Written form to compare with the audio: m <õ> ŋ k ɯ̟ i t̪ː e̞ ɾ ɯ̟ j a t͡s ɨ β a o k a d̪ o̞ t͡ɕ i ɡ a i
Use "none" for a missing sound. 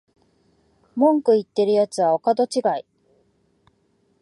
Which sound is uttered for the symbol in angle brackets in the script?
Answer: õ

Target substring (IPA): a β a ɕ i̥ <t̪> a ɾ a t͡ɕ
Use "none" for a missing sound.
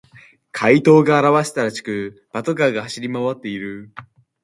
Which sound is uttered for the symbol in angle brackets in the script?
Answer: t̪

